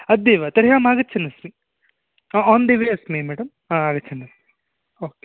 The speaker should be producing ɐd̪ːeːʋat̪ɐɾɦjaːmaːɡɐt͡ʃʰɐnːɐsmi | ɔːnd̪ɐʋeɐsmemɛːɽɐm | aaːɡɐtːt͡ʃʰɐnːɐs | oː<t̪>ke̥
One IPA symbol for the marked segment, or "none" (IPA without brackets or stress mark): none